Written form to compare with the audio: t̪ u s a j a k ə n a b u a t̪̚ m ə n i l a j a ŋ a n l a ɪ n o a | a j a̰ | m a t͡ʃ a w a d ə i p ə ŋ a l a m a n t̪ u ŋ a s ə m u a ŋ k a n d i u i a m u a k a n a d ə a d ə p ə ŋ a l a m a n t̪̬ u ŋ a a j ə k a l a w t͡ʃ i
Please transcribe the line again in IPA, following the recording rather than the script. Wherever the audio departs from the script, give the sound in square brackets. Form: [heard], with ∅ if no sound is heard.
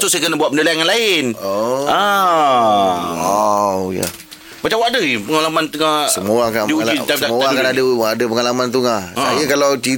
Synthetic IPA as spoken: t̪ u s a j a k ə n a b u a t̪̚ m ə n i l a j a ŋ a n l a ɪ n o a | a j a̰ | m a t͡ʃ a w a d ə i p ə ŋ a l a m a n t̪ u ŋ a s ə m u a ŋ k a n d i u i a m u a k a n a d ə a d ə p ə ŋ a l a m a n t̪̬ u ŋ a a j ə k a l a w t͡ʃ i